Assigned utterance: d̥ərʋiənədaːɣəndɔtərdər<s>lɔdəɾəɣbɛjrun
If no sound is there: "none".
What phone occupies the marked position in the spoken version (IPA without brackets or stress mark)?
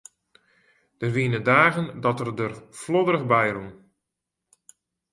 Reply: f